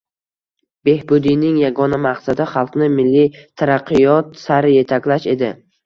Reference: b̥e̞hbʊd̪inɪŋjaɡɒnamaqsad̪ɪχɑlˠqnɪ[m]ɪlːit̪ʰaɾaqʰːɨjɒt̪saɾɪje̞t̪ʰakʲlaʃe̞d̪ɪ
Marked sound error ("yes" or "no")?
no